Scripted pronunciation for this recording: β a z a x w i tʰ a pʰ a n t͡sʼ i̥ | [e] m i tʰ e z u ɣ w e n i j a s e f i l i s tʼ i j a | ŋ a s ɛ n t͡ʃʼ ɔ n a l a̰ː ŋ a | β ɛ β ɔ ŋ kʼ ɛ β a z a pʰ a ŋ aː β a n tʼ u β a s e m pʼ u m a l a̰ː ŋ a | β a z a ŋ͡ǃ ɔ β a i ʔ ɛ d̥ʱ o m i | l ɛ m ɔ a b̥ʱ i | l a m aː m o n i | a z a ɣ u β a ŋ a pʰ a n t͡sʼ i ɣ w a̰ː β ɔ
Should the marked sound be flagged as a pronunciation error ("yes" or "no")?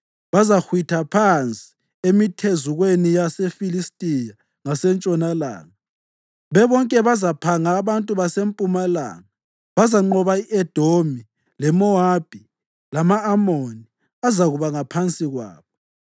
no